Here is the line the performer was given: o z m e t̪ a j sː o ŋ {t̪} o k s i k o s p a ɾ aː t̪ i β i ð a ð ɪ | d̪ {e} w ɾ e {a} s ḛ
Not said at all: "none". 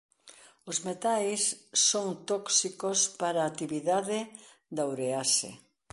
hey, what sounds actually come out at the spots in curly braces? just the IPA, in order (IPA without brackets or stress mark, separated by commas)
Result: t̪, a, a